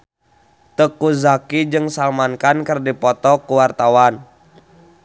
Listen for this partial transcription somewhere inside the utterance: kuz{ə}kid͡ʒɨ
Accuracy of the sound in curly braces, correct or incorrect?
incorrect